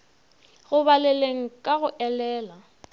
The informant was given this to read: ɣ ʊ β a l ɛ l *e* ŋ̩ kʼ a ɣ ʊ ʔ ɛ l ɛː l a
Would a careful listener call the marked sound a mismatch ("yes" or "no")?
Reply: no